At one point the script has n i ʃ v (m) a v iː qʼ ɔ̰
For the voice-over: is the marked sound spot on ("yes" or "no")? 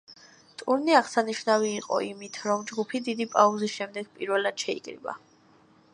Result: no